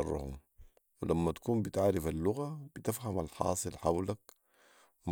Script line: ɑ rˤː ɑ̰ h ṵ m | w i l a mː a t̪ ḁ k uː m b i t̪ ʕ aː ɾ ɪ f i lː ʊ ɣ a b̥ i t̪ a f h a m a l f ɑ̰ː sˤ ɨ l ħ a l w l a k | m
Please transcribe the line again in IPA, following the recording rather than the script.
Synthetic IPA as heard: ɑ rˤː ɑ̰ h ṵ m | w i l a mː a t̪ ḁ k uː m b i t̪ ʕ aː ɾ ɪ f a lː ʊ ɣ a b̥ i t̪ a f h a m a l ħ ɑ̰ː sˤ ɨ l ħ a w l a k | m